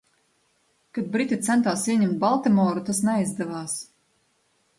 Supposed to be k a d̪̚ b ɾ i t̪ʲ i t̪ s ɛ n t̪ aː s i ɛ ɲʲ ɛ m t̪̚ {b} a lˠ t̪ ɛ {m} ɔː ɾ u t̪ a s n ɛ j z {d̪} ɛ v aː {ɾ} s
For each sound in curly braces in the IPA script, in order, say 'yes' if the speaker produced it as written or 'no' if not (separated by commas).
yes, yes, yes, no